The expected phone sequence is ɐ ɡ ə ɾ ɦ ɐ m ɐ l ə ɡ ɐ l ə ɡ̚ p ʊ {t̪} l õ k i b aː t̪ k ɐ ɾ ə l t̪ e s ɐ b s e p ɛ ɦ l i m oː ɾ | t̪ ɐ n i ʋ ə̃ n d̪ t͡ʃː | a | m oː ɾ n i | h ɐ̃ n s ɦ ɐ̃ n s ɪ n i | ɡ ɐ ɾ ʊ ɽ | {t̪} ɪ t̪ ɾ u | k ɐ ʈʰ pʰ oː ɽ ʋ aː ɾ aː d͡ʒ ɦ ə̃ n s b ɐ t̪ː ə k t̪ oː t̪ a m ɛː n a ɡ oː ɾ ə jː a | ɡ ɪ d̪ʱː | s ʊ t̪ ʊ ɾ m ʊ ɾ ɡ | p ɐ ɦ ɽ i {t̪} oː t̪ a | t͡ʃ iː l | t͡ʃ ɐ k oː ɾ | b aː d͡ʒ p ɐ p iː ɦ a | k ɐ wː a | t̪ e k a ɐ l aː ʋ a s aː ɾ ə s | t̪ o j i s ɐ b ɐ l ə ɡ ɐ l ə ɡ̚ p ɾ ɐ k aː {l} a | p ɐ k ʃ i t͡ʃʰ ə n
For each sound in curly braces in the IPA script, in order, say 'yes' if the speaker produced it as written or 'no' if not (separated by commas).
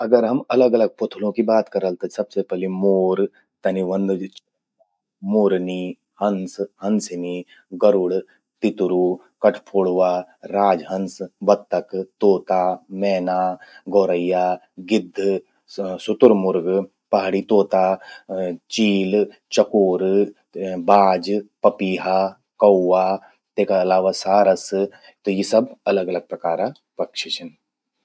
no, yes, yes, no